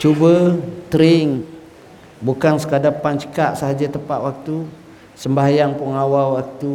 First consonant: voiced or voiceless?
voiceless